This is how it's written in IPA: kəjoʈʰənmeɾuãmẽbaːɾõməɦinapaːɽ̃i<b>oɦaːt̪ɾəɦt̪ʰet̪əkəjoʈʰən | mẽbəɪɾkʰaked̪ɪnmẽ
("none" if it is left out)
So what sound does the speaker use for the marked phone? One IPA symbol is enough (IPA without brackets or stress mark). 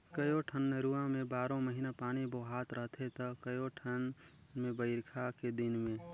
b